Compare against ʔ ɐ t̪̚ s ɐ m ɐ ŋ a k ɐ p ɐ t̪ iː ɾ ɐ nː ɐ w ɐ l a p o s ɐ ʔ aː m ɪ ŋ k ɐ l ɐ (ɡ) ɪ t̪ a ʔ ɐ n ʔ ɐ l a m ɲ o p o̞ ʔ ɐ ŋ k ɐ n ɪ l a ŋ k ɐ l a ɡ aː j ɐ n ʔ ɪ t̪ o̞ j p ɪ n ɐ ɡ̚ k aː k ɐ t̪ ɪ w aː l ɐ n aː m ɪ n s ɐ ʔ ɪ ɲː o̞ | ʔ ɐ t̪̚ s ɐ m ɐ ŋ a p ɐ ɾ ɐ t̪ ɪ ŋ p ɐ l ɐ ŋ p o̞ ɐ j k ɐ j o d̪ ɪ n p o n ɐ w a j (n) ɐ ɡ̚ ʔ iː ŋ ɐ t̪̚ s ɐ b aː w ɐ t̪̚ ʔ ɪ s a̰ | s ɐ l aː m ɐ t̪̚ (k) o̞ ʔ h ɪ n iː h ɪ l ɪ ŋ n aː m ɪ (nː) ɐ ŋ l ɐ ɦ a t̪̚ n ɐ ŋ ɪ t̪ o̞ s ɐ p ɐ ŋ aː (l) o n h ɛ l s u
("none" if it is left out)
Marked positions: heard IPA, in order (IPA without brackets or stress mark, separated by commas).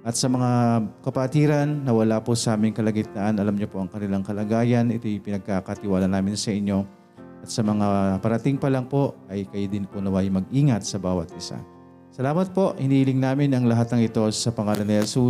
ɡ, m, p, n, l